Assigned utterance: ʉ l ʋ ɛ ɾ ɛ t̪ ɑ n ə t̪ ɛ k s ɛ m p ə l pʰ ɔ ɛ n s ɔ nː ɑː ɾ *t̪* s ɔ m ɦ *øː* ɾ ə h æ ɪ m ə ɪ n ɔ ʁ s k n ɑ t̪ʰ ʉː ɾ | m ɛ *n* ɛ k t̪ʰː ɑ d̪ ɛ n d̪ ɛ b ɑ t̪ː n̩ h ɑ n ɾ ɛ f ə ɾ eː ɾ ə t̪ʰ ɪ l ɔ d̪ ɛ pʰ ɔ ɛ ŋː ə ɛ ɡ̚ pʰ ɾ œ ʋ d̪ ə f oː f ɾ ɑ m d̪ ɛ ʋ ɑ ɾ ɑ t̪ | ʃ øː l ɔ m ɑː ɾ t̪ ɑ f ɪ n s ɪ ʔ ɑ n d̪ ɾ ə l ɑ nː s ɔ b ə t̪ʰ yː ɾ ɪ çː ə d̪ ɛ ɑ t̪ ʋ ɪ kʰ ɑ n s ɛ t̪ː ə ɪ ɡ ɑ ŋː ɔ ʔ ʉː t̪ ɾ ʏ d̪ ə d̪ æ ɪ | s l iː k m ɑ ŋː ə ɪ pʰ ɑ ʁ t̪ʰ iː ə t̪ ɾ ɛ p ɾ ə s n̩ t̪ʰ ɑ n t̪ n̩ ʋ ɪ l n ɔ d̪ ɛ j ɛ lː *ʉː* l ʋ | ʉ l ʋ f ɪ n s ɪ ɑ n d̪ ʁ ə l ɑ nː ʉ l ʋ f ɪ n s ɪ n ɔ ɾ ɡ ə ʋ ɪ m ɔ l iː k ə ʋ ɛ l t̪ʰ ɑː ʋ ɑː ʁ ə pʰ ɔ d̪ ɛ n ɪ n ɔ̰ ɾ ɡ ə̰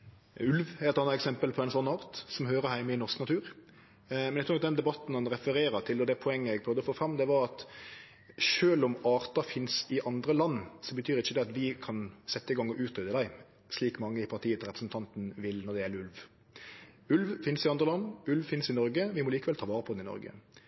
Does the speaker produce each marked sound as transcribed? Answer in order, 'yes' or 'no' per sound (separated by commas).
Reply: yes, yes, yes, no